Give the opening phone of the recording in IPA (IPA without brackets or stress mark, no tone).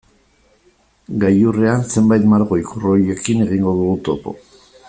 ɡ